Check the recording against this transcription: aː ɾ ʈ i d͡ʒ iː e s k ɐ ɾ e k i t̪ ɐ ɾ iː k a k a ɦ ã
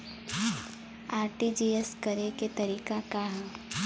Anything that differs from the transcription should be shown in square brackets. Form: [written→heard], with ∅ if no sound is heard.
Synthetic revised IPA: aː ɾ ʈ i d͡ʒ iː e s k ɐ ɾ e k [i→e] t̪ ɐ ɾ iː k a k a ɦ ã